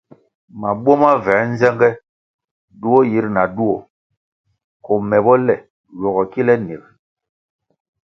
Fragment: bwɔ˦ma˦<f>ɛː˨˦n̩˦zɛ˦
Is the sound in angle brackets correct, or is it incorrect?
incorrect